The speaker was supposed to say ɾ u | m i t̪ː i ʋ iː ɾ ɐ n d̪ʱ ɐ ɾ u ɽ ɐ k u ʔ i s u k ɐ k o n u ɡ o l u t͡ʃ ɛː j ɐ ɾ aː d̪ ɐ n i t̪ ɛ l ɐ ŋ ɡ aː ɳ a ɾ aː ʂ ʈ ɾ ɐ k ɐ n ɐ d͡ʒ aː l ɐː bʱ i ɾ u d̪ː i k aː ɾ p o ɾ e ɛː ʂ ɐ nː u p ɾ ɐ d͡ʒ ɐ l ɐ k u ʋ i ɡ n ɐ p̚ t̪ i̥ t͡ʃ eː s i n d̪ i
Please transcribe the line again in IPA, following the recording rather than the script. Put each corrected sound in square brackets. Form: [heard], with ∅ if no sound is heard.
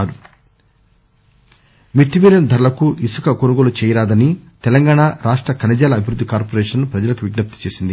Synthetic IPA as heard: ɾ u | m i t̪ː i ʋ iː ɾ ɐ n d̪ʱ ɐ ɾ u [l] ɐ k u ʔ i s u k ɐ k o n u ɡ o l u t͡ʃ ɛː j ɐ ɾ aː d̪ ɐ n i t̪ ɛ l ɐ ŋ ɡ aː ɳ a ɾ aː ʂ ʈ ɾ ɐ k ɐ n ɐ d͡ʒ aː l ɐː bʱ i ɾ u d̪ː i k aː ɾ p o ɾ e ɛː ʂ ɐ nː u p ɾ ɐ d͡ʒ ɐ l ɐ k u ʋ i ɡ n ɐ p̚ t̪ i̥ t͡ʃ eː s i n d̪ i